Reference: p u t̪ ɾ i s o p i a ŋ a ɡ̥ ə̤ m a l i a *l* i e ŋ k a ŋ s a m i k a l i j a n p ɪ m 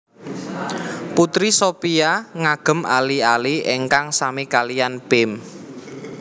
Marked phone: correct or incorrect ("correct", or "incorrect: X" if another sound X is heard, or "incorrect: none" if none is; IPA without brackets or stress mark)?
correct